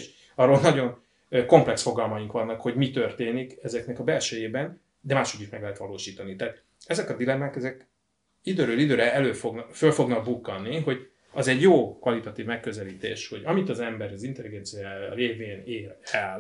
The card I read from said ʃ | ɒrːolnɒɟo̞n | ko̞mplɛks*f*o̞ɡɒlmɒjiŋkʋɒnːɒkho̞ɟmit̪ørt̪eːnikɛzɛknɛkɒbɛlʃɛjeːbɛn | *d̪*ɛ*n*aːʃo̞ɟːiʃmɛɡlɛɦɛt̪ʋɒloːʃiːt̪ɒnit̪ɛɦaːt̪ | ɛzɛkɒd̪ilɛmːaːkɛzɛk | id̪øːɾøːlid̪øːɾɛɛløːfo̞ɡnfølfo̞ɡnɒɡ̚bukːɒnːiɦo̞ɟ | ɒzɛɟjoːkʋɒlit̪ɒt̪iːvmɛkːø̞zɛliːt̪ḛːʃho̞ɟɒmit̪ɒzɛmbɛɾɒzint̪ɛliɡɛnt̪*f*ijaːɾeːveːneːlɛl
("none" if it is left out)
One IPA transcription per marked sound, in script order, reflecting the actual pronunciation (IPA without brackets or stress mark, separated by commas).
f, d̪, m, s